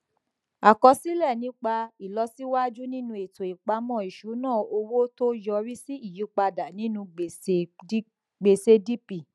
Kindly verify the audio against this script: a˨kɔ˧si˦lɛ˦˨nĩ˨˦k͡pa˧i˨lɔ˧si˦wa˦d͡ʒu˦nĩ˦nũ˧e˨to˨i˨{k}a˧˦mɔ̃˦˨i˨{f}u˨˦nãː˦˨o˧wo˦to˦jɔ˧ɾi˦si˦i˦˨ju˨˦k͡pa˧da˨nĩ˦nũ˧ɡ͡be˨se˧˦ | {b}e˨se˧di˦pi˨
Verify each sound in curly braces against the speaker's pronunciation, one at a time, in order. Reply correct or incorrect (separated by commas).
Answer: incorrect, incorrect, incorrect